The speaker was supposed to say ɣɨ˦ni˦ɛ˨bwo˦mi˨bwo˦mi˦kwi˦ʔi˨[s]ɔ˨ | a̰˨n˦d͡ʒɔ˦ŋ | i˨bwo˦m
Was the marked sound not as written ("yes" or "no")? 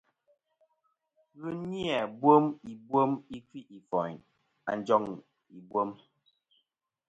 yes